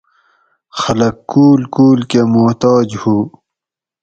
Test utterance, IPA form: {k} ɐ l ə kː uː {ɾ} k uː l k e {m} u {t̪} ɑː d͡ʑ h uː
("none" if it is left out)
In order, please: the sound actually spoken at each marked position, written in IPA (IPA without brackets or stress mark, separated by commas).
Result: x, l, m, t̪